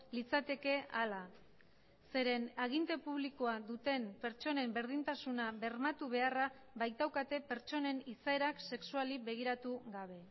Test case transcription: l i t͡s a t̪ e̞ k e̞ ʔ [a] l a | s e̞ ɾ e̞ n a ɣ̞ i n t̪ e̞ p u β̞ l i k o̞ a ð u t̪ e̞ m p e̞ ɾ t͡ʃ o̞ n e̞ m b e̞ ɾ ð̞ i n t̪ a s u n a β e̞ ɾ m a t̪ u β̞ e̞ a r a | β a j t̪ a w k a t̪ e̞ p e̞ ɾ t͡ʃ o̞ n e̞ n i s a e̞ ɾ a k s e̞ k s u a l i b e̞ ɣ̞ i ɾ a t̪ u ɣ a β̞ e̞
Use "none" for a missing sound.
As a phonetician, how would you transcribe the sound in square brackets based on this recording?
a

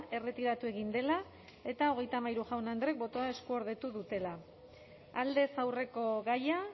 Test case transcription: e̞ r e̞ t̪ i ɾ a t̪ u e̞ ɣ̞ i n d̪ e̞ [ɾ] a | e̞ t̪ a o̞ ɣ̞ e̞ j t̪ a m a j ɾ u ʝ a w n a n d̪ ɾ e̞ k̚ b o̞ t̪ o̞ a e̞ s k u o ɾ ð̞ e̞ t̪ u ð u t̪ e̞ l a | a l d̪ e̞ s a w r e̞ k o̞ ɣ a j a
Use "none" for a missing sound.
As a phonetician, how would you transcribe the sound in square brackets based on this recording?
l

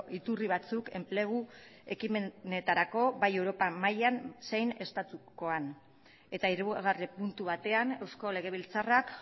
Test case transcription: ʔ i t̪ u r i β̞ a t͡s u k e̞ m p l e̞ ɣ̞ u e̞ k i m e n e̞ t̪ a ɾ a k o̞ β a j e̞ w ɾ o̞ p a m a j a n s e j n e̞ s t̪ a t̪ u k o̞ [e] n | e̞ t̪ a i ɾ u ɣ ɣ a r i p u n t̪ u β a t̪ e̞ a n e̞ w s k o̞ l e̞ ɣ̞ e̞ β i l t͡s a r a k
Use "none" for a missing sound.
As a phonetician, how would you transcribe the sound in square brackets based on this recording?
a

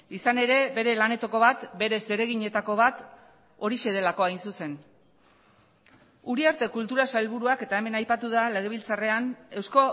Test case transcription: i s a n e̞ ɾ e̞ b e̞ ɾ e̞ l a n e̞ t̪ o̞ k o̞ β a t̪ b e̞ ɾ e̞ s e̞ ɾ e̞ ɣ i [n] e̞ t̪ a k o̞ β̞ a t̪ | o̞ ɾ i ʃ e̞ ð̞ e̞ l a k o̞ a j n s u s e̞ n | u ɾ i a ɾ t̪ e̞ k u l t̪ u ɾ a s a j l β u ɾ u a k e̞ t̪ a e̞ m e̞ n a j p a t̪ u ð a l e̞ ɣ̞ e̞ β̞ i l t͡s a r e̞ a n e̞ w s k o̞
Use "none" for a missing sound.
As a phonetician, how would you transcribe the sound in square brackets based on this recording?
ɲ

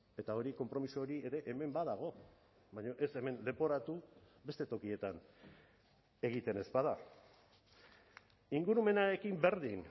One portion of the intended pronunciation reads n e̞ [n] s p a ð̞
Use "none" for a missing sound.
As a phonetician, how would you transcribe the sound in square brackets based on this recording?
none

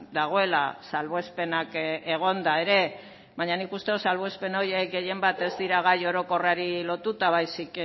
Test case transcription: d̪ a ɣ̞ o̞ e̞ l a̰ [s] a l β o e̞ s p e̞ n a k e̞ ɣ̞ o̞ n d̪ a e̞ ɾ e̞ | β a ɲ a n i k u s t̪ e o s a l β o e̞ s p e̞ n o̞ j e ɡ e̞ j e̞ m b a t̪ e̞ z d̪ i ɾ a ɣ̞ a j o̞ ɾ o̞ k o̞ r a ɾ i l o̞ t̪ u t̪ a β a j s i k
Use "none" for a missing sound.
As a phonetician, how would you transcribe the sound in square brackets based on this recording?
s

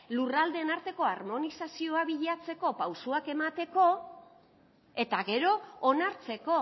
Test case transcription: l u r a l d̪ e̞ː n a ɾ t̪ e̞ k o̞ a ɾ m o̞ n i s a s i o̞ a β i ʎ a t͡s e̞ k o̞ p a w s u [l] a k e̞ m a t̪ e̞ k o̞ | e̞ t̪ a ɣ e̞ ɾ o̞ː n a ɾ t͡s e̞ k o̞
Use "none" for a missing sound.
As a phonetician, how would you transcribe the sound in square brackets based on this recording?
none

